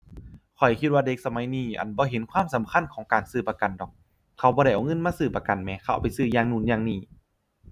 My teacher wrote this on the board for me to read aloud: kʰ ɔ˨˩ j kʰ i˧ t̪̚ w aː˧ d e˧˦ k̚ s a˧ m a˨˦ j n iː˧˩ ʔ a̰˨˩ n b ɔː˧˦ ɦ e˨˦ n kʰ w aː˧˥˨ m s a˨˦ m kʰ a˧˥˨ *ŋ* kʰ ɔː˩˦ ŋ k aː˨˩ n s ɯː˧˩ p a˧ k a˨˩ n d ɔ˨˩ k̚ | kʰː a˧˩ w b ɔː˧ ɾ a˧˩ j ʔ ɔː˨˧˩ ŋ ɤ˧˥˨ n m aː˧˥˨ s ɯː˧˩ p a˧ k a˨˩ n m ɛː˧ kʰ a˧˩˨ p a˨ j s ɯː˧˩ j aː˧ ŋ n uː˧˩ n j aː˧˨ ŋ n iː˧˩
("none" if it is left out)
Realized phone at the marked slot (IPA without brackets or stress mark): n